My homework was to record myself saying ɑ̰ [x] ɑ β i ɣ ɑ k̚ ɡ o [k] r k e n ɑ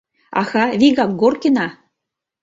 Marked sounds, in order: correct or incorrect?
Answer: correct, incorrect: none

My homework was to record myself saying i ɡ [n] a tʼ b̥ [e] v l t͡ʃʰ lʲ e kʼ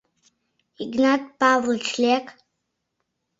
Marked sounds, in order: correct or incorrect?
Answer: correct, incorrect: a

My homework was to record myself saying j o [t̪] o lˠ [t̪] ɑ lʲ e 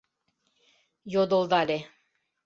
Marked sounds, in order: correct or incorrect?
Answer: incorrect: d̪, incorrect: d̪

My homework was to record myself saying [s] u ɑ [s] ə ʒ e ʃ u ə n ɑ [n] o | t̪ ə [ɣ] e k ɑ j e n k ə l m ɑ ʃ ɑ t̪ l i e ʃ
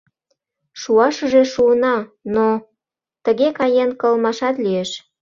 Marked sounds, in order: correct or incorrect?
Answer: incorrect: ʃ, incorrect: ʃ, correct, correct

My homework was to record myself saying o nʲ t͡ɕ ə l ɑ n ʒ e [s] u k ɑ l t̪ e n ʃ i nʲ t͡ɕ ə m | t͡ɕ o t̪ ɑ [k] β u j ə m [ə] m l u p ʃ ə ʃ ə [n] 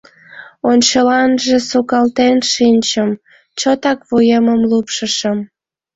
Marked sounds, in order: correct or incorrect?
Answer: correct, correct, correct, incorrect: m

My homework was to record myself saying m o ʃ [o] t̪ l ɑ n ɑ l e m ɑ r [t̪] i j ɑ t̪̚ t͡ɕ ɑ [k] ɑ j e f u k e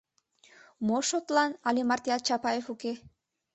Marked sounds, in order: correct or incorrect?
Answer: correct, correct, incorrect: p

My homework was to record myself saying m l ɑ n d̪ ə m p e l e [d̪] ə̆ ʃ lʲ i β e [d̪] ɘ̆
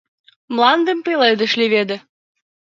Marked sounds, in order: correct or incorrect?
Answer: correct, correct

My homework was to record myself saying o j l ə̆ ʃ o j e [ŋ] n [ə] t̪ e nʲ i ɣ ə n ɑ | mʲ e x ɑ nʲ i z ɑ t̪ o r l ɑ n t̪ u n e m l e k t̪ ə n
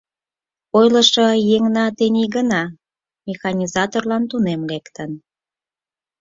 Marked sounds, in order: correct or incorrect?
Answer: correct, incorrect: ɑ

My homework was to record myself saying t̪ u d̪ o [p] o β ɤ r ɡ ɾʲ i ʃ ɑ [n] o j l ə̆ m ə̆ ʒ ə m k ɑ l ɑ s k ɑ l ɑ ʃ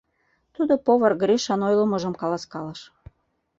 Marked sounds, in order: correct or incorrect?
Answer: correct, correct

